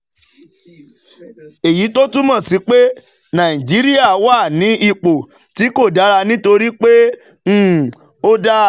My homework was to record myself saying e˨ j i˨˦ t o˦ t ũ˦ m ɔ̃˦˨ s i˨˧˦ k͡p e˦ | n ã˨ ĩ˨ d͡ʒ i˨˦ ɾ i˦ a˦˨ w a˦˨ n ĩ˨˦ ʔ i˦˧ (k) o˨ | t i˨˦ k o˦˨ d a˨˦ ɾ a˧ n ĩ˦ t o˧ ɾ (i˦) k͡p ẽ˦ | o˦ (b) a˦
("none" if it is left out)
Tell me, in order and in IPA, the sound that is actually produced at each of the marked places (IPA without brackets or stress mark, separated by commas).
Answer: k͡p, i˦, d